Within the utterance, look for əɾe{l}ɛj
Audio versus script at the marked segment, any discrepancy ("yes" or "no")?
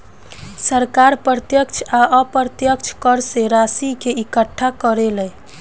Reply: no